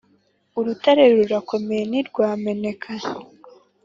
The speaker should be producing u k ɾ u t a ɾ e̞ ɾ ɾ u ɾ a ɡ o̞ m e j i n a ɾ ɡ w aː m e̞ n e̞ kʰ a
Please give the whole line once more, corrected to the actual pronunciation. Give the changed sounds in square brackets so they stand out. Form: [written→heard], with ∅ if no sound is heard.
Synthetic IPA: u [k→∅] ɾ u t a ɾ e̞ ɾ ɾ u ɾ a [ɡ→k] o̞ m e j [i→e] n [a→i] ɾ ɡ w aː m e̞ n e̞ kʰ a